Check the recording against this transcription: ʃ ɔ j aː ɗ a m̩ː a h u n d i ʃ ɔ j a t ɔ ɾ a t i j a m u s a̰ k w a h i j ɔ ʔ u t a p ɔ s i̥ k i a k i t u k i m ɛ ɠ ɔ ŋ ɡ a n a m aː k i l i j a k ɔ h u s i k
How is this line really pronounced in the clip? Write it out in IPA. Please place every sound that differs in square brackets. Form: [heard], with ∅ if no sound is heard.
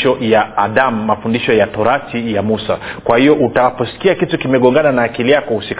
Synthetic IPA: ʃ ɔ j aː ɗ a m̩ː a [f] u n d i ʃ ɔ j a t ɔ ɾ a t i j a m u s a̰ k w a h i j ɔ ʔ u t a p ɔ s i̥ k i a k i t u k i m ɛ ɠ ɔ ŋ ɡ a n a [n] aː k i l i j a k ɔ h u s i k